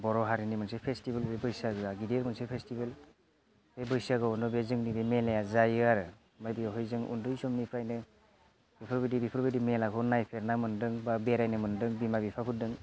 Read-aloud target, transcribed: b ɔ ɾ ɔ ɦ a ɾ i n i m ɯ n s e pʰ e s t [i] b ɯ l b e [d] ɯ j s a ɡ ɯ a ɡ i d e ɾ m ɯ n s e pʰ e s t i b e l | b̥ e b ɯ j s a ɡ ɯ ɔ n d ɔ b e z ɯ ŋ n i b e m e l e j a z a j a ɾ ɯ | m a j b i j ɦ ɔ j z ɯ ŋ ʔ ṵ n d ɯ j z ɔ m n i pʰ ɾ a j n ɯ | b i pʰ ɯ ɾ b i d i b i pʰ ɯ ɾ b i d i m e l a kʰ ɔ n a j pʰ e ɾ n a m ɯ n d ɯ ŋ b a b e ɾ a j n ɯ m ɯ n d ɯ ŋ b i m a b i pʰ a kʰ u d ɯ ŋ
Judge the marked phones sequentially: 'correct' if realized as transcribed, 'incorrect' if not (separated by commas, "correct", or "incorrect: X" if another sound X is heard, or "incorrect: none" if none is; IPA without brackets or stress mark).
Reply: correct, incorrect: b